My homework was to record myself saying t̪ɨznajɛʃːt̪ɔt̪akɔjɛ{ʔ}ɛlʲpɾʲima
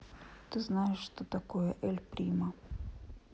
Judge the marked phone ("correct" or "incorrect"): correct